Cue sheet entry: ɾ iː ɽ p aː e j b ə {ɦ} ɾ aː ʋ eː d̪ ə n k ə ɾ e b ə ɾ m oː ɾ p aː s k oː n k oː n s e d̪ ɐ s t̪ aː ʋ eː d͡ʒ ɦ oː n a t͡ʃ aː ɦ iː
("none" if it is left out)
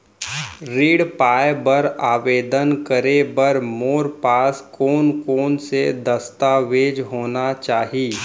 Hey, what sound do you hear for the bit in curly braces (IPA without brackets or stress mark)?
none